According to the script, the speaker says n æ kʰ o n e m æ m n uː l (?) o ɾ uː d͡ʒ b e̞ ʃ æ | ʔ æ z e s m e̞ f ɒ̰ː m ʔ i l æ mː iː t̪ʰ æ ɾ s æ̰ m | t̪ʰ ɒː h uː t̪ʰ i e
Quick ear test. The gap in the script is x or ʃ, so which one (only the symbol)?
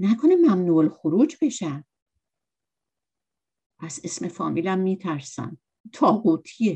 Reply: x